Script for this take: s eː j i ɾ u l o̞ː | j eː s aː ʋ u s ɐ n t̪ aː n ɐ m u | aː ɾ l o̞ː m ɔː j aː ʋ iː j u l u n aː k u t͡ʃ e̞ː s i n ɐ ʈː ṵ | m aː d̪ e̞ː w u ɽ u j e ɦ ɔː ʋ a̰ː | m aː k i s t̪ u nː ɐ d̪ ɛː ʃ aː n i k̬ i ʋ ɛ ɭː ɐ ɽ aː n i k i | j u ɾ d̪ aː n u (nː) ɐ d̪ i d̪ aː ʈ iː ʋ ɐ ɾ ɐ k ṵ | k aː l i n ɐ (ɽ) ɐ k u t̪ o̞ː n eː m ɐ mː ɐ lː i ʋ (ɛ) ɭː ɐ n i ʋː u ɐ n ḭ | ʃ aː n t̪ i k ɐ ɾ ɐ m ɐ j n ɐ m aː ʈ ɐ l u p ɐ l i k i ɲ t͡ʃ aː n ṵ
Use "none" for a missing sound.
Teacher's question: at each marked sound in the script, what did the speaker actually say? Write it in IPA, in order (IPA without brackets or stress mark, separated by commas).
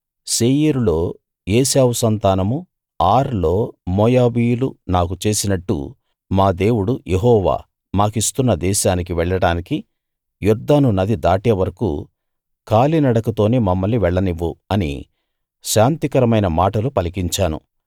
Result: n, ɽ, ɛ